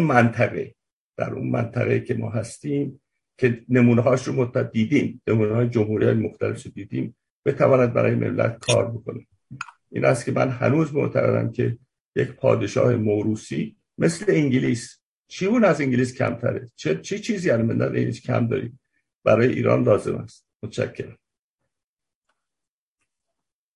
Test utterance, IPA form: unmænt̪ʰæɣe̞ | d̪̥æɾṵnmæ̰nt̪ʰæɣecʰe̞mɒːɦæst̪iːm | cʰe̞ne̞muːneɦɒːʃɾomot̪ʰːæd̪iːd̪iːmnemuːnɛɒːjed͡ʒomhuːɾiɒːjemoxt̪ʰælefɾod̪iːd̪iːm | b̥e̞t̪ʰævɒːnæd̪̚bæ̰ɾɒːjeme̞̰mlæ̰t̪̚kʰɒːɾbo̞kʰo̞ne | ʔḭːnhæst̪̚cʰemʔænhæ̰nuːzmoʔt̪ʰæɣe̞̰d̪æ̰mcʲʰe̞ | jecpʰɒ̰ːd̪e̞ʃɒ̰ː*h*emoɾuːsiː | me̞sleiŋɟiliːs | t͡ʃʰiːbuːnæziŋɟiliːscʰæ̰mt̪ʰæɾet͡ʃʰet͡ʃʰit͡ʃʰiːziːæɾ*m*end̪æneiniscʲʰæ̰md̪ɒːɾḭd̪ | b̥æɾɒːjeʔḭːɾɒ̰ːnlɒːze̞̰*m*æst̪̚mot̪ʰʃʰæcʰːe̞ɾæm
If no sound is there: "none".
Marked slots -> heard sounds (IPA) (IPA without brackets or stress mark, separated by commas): h, m, m